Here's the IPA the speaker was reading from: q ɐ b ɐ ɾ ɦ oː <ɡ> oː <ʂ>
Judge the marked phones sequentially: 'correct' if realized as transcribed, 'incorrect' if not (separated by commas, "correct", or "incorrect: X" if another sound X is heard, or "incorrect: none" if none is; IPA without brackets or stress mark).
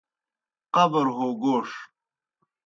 correct, correct